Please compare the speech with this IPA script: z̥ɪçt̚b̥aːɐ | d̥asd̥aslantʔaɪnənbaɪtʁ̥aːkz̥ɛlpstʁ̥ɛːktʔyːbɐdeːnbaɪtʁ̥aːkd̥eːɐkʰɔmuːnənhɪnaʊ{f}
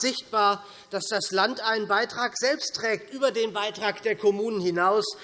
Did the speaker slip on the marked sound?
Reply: yes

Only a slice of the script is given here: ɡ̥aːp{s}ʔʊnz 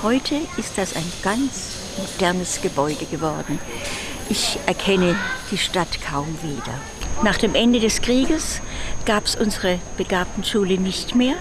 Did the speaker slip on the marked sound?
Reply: no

